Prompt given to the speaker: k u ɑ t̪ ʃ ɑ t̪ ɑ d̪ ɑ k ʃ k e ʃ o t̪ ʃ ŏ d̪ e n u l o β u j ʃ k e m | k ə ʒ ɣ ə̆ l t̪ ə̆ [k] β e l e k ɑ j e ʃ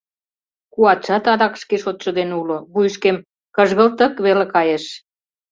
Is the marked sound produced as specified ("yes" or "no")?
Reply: yes